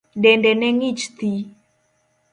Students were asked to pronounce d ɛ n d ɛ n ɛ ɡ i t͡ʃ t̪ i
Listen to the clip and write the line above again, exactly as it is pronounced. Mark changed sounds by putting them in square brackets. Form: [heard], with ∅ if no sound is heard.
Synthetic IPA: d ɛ n d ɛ n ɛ [ŋ] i t͡ʃ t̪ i